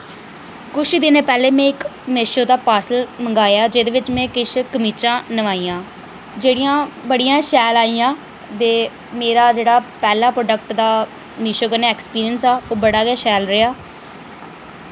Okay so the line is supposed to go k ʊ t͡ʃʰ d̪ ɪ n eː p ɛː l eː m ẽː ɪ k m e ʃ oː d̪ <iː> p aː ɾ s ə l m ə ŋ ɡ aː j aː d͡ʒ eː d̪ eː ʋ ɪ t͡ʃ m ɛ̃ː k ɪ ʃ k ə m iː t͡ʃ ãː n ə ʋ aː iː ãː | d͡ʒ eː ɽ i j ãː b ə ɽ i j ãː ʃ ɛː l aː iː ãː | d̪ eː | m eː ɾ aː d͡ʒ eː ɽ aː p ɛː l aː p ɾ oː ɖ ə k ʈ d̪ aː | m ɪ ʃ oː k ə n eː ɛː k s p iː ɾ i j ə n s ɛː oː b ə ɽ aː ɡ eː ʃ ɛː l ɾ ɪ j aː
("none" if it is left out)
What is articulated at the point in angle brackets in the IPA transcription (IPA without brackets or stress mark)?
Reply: aː